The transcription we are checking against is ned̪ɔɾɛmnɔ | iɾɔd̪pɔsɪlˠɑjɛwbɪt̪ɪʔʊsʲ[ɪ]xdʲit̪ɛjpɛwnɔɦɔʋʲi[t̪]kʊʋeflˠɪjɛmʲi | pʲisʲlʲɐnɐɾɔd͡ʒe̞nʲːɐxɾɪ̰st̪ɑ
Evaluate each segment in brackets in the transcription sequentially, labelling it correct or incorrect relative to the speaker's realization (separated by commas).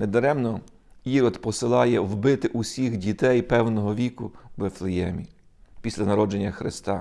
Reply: incorrect, incorrect